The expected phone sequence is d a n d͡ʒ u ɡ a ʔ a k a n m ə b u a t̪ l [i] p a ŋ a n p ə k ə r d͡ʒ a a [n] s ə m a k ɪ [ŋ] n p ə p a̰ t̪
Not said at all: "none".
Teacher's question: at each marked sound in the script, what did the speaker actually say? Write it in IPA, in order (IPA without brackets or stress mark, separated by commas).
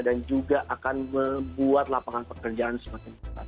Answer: a, n, none